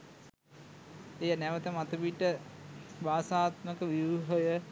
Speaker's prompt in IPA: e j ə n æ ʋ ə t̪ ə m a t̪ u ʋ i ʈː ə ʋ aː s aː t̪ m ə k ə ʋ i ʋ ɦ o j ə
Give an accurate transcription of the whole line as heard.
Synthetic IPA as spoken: e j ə n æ ʋ ə t̪ ə m a t̪ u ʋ i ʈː ə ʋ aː s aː t̪ m ə k ə ʋ i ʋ ɦ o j ə